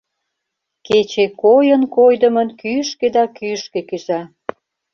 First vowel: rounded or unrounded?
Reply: unrounded